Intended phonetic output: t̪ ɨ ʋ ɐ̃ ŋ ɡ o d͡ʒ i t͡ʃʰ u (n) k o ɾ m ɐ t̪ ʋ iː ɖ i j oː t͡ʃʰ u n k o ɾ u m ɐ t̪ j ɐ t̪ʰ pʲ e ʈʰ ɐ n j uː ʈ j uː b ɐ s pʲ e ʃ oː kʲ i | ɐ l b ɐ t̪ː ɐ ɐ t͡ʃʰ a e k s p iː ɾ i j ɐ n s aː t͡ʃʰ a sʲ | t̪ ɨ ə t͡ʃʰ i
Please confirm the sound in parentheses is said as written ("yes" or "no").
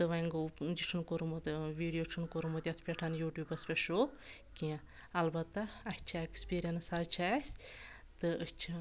yes